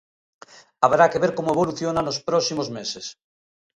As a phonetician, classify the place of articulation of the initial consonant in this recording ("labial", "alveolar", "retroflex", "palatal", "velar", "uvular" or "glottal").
labial